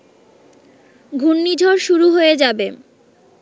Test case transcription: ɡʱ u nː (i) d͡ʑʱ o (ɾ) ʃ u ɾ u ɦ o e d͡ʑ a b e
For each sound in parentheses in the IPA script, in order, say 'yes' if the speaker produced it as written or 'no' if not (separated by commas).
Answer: yes, yes